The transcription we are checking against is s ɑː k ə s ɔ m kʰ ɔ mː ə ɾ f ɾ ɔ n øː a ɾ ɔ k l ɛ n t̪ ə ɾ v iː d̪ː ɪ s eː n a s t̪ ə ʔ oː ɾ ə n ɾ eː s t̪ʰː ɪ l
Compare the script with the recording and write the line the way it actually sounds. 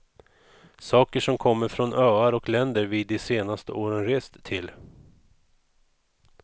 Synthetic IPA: s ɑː k ə ʂ ɔ m kʰ ɔ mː ə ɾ f ɾ ɔ n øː a ɾ ɔ k l ɛ n d̪ ə ɾ v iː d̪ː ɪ s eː n a s t̪ ə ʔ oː ɾ ə n ɾ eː s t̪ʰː ɪ l